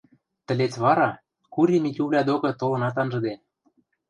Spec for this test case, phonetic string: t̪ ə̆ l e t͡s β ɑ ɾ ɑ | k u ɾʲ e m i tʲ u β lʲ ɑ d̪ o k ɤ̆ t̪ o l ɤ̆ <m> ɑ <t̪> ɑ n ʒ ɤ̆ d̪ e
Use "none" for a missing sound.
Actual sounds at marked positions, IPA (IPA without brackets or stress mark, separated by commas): n, t̪